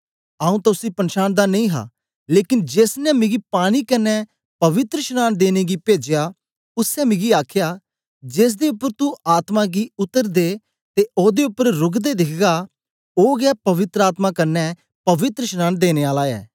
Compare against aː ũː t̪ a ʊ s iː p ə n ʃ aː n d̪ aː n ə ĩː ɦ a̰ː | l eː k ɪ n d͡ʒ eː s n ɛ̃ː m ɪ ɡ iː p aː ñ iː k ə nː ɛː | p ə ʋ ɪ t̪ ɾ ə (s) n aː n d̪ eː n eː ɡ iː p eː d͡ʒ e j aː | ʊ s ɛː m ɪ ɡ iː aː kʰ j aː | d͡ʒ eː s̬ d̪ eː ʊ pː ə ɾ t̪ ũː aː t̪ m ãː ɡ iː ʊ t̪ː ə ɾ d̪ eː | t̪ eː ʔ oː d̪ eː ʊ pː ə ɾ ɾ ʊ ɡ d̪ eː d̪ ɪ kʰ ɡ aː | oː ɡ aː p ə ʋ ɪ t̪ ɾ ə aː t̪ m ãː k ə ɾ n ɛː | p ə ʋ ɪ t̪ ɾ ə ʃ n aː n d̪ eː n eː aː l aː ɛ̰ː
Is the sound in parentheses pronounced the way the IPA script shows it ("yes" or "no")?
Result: no